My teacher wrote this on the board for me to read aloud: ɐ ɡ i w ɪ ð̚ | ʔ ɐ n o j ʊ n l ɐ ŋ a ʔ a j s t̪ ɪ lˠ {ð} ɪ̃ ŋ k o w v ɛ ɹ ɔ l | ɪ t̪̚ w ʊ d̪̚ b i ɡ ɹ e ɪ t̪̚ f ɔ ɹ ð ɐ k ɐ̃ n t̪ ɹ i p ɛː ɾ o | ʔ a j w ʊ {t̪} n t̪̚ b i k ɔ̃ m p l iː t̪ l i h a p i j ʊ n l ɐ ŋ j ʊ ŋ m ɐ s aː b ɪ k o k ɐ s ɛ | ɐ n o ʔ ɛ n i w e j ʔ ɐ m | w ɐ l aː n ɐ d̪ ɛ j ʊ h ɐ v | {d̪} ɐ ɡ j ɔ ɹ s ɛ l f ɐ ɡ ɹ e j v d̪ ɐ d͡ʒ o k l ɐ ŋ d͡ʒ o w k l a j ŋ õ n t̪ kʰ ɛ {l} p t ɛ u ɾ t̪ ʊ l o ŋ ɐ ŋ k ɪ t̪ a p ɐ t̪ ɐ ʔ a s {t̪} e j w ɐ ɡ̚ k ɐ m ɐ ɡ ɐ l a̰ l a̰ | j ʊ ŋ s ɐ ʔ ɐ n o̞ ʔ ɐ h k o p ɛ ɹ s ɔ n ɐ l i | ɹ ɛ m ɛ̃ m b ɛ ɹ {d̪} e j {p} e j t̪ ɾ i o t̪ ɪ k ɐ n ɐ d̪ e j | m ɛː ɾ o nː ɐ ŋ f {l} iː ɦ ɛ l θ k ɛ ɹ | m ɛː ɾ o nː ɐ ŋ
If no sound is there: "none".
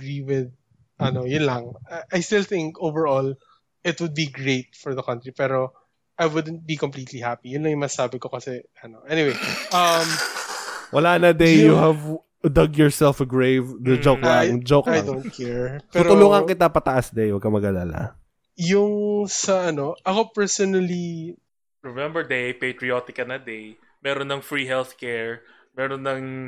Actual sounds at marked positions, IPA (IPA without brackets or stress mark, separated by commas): θ, d̪, d̪, ɹ, d̪, d̪, p, ɹ